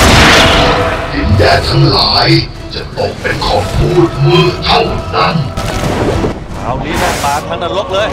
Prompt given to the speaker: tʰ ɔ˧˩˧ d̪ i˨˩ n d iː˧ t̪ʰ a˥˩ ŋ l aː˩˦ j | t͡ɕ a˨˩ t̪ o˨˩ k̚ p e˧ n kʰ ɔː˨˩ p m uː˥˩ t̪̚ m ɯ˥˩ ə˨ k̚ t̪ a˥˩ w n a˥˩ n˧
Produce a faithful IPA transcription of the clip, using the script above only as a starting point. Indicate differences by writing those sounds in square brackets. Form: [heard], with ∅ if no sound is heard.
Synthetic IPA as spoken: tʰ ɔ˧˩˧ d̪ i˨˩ n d [ɛː˧] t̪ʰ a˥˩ ŋ l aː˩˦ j | t͡ɕ a˨˩ t̪ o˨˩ k̚ p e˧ n kʰ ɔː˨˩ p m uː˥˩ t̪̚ m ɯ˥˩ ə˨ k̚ [t̪ʰ] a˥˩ w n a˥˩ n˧

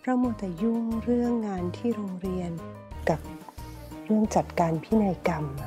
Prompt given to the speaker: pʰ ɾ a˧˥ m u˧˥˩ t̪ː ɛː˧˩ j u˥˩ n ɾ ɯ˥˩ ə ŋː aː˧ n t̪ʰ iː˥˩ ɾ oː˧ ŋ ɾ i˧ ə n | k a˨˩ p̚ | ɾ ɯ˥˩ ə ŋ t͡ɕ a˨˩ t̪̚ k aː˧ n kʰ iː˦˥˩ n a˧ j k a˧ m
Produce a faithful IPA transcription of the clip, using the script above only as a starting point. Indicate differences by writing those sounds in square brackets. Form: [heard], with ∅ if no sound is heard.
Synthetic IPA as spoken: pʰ ɾ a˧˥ m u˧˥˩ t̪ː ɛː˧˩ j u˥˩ [ŋ] ɾ ɯ˥˩ ə ŋː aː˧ n t̪ʰ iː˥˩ ɾ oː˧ ŋ ɾ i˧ ə n | k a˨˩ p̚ | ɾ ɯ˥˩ ə ŋ t͡ɕ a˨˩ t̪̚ k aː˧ n [pʰ] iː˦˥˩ n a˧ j k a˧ m

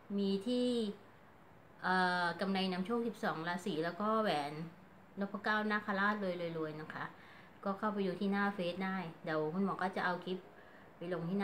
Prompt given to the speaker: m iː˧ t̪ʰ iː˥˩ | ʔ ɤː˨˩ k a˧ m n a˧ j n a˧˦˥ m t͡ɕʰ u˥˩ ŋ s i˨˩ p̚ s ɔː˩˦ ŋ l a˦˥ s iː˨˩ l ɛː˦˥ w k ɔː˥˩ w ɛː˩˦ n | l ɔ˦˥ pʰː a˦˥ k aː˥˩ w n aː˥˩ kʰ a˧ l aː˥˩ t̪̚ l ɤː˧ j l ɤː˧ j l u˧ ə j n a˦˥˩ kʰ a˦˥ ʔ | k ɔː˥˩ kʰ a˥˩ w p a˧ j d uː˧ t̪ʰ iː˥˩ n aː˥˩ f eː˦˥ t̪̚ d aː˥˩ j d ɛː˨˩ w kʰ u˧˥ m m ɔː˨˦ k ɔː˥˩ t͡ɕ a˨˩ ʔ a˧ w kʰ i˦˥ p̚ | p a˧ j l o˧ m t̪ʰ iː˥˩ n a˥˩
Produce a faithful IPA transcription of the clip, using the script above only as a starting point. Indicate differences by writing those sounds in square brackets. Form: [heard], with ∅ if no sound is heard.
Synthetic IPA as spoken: m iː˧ t̪ʰ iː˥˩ | ʔ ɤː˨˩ k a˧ m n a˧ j n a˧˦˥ m t͡ɕʰ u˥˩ ŋ s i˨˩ p̚ s ɔː˩˦ ŋ l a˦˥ s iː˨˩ l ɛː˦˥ w k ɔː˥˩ w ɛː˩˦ n | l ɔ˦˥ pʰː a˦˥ k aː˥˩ w n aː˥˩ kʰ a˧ l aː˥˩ t̪̚ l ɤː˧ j l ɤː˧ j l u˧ ə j n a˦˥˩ kʰ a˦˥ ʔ | k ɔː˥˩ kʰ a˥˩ w p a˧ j d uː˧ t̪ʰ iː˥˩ n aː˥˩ f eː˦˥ t̪̚ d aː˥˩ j d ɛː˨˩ w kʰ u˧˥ [n] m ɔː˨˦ k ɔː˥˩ t͡ɕ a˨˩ ʔ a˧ w kʰ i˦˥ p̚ | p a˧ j l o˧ [ŋ] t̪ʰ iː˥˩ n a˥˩

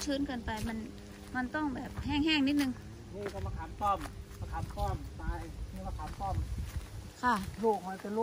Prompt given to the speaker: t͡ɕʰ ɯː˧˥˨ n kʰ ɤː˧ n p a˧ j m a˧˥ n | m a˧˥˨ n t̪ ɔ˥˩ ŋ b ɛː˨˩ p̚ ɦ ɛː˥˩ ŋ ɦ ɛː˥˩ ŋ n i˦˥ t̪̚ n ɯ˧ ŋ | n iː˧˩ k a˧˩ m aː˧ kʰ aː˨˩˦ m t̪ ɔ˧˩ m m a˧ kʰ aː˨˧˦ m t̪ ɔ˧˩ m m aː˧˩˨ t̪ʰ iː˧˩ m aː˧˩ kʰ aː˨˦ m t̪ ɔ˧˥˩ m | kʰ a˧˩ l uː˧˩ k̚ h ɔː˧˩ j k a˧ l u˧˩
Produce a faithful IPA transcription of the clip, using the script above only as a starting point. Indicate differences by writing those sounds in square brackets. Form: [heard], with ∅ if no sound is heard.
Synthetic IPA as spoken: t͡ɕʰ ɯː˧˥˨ n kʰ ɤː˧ n p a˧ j m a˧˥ n | m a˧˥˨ n t̪ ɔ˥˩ ŋ b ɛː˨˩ p̚ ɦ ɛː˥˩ ŋ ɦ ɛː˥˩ ŋ n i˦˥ t̪̚ n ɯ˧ ŋ | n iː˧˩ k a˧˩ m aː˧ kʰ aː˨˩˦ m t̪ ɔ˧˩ m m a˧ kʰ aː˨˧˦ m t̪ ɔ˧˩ m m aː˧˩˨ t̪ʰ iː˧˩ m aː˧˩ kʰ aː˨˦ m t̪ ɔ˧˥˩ m | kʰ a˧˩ l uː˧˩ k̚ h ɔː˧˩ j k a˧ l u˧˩

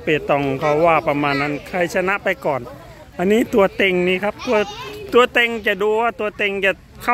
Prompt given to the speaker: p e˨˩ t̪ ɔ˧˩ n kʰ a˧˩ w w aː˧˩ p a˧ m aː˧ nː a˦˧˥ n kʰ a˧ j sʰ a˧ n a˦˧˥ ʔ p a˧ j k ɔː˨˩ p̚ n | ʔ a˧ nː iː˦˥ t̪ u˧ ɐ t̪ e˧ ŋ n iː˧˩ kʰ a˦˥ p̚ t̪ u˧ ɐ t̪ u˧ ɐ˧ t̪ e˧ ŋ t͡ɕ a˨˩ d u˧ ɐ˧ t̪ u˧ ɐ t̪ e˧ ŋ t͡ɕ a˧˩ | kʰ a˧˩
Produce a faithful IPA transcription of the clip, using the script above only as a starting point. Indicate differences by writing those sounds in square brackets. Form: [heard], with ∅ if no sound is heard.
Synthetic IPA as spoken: p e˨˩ t̪ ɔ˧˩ [ŋ] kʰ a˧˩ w w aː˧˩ p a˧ m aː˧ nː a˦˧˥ n kʰ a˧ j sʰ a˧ n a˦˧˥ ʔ p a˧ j k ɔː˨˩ [∅] n | ʔ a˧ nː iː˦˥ t̪ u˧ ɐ t̪ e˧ ŋ n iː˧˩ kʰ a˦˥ p̚ t̪ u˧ ɐ t̪ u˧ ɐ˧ t̪ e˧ ŋ t͡ɕ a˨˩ d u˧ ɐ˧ t̪ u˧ ɐ t̪ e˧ ŋ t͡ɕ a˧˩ | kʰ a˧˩

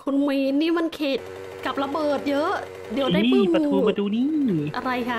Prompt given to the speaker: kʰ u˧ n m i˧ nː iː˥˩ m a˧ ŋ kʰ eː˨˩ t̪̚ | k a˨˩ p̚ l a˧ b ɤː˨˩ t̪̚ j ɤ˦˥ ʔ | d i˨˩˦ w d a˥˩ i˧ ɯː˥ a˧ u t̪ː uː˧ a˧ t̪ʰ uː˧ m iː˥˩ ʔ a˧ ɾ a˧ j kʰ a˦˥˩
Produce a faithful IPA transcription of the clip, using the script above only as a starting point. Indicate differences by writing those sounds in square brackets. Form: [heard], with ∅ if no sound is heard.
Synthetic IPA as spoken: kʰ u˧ n m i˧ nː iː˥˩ m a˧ [n] kʰ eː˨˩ t̪̚ | k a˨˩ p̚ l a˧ b ɤː˨˩ t̪̚ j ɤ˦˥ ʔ | d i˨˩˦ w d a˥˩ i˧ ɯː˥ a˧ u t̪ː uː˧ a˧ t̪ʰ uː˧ [n] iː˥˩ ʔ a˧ ɾ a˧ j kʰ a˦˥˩

